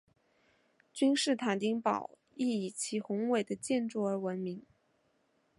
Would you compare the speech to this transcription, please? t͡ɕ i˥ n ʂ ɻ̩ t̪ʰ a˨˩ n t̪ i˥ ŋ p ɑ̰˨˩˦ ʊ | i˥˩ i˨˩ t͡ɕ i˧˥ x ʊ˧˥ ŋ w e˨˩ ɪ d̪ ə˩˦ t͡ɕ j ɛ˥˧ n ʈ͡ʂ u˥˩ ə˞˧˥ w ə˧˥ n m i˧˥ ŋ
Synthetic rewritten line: t͡ɕ y˥ n ʂ ɻ̩ t̪ʰ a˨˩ n t̪ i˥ ŋ p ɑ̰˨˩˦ ʊ | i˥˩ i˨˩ t͡ɕʰ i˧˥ x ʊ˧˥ ŋ w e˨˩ ɪ d̪ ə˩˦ t͡ɕ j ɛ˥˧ n ʈ͡ʂ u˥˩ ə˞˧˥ w ə˧˥ n m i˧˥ ŋ